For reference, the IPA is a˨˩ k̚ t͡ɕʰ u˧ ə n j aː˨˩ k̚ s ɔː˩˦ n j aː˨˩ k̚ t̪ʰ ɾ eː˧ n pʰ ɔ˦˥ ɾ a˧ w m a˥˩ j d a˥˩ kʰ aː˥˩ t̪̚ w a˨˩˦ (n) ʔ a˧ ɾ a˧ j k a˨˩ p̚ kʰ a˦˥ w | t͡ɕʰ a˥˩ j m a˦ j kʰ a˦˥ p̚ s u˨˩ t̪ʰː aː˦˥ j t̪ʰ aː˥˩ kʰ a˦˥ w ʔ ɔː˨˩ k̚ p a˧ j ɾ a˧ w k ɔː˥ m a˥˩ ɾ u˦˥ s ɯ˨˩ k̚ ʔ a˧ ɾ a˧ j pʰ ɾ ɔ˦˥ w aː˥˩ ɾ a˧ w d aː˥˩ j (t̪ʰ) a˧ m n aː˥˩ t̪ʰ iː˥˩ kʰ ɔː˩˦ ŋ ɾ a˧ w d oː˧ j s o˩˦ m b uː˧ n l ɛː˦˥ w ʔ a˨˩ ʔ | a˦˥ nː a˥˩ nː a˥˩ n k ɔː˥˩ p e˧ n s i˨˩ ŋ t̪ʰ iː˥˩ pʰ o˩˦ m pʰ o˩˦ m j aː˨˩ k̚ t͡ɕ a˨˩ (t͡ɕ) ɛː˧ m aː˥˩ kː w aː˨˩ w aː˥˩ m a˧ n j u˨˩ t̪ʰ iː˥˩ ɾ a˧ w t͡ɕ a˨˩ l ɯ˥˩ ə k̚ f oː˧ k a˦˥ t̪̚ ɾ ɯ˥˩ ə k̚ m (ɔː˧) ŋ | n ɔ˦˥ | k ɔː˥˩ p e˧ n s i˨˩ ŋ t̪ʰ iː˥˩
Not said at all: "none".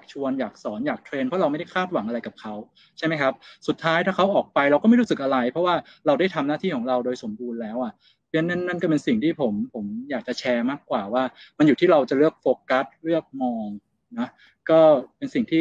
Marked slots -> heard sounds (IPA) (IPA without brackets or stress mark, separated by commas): ŋ, t̪ʰ, t͡ɕʰ, ɔː˧